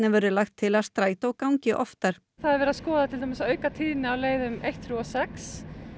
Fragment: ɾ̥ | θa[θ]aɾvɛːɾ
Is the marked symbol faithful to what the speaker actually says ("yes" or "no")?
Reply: no